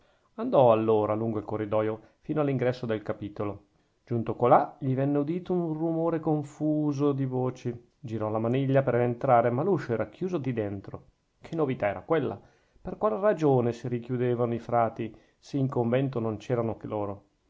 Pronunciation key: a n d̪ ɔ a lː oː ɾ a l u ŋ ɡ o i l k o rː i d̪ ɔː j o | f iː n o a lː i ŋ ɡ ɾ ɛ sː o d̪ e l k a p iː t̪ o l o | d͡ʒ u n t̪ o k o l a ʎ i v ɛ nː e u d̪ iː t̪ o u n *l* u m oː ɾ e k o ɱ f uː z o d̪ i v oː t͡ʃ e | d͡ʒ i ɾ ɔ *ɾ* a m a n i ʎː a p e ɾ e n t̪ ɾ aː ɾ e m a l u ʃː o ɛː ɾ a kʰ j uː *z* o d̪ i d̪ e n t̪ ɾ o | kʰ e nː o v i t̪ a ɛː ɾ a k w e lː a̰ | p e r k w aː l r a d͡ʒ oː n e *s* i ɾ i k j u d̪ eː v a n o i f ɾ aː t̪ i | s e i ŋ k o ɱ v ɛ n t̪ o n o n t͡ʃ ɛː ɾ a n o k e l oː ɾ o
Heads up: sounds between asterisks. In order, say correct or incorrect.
incorrect, incorrect, correct, correct

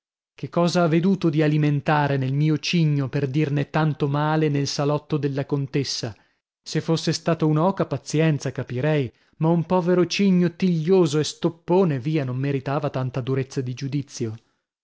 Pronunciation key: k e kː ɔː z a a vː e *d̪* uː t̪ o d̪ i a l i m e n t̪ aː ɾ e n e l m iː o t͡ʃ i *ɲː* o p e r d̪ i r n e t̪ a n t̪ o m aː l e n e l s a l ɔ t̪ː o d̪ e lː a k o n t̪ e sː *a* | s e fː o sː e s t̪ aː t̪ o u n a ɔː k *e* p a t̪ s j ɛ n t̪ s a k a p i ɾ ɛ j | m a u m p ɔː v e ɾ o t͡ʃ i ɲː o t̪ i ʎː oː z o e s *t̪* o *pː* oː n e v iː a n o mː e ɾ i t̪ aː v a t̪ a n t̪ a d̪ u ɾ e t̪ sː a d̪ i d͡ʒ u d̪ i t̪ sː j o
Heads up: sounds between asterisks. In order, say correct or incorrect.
correct, correct, correct, incorrect, correct, correct

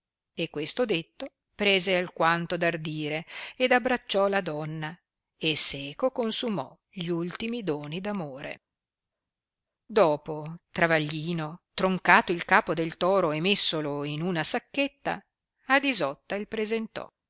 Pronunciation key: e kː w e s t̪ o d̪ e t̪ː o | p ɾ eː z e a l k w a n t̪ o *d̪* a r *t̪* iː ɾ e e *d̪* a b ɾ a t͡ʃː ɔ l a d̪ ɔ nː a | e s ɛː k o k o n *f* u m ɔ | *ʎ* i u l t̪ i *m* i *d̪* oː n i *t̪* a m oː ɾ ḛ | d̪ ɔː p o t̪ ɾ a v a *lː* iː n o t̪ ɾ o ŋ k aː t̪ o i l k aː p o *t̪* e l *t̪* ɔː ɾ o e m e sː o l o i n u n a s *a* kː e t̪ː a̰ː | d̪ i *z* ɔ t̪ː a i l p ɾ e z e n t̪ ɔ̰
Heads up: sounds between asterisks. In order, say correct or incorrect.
correct, incorrect, correct, incorrect, correct, correct, correct, incorrect, incorrect, incorrect, correct, correct, correct

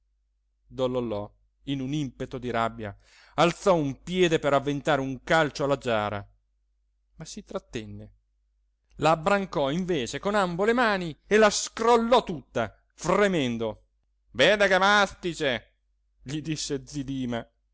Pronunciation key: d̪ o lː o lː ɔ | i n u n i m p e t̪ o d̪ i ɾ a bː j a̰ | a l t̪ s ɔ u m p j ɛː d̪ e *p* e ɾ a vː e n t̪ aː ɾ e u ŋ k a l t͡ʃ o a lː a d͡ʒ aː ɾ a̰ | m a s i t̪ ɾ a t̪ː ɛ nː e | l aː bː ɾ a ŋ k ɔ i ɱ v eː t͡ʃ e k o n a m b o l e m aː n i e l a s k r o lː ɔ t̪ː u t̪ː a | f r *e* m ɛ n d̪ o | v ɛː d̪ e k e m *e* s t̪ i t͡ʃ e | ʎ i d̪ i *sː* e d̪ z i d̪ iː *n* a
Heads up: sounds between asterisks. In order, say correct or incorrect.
correct, correct, incorrect, correct, incorrect

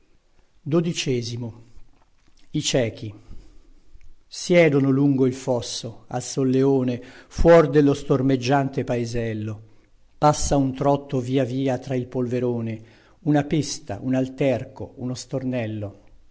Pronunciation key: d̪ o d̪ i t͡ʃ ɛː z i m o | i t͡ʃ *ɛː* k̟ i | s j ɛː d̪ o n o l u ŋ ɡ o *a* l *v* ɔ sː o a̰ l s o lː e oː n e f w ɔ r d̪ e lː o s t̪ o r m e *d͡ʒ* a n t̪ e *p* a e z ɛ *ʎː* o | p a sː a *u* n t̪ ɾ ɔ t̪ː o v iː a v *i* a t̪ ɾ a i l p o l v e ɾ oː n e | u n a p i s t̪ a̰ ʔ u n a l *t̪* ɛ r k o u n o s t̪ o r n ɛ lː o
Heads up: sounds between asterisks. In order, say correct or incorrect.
correct, incorrect, incorrect, incorrect, correct, incorrect, correct, incorrect, correct

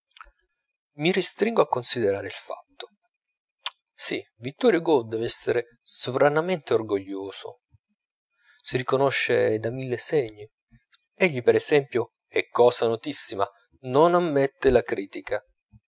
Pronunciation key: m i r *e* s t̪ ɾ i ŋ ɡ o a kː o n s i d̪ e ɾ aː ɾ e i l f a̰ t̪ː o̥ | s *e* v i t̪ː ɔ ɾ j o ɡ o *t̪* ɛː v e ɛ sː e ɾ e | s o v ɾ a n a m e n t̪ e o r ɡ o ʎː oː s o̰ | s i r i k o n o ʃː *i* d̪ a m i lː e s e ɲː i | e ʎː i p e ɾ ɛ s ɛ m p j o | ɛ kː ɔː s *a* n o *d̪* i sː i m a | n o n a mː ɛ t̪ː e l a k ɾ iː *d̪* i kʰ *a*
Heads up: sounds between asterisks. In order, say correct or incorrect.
incorrect, incorrect, incorrect, incorrect, correct, incorrect, incorrect, correct

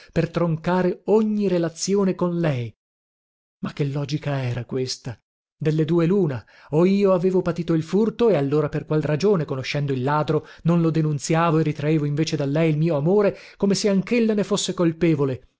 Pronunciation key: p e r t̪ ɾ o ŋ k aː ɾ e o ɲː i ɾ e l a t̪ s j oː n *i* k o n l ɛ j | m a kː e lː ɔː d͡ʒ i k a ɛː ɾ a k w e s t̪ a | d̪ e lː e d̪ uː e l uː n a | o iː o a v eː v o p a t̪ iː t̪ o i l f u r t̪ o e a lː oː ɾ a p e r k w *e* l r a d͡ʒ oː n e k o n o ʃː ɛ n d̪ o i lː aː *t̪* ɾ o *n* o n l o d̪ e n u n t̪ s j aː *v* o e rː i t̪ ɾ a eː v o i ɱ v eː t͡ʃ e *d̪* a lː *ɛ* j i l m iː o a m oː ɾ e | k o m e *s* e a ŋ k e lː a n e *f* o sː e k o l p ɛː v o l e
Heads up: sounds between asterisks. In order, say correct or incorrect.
incorrect, incorrect, incorrect, correct, correct, correct, correct, correct, correct

